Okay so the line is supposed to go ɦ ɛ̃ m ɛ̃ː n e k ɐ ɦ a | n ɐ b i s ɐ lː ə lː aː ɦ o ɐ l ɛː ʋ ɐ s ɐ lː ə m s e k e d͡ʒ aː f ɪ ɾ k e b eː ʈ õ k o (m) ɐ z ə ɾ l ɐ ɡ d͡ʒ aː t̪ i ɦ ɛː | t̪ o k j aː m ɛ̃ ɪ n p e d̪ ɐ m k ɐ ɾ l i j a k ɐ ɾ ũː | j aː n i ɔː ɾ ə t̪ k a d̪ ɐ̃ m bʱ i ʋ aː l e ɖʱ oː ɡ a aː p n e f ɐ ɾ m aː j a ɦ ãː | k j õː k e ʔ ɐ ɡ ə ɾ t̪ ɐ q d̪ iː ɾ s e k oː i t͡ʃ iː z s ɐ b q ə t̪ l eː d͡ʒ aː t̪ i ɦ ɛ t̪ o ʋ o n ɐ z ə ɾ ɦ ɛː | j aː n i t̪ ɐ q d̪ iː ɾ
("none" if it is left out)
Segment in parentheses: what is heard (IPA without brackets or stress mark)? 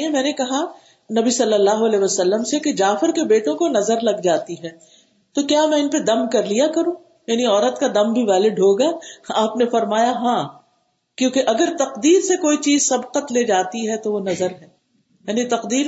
n